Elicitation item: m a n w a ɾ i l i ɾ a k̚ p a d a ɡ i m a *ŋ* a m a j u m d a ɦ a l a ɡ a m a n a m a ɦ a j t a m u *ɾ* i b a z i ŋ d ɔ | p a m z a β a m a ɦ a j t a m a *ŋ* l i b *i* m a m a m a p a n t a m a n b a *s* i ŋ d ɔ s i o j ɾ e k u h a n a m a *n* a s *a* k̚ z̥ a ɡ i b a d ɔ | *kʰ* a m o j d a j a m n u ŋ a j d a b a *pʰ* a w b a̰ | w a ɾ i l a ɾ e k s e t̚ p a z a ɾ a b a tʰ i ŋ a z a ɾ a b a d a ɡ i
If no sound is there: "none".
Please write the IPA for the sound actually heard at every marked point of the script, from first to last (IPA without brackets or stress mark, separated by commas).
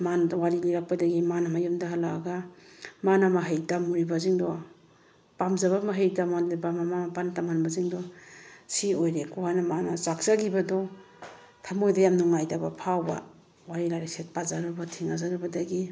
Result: n, ɾ, n, a, z, n, a, tʰ, pʰ